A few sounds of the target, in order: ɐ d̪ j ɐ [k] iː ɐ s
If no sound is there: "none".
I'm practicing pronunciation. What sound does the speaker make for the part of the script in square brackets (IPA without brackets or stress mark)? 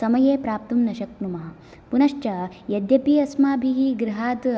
p